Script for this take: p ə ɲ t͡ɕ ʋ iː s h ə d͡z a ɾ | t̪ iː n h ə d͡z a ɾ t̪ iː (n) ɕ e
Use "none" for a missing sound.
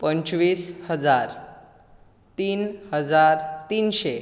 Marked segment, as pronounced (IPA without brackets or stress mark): n